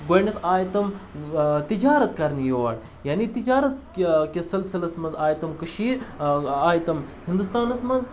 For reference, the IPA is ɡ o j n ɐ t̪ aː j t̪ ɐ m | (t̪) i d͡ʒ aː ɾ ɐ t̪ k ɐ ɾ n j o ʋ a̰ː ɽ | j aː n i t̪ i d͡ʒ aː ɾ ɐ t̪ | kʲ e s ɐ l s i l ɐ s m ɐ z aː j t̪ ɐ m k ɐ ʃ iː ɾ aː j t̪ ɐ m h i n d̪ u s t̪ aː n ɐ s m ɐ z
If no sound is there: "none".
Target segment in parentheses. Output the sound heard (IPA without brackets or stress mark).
t̪